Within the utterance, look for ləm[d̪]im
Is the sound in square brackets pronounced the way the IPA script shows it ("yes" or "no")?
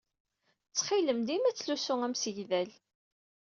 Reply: yes